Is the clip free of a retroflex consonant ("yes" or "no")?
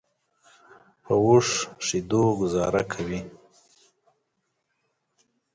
no